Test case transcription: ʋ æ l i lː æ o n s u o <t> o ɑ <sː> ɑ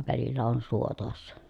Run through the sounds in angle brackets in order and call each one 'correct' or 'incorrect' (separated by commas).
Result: correct, correct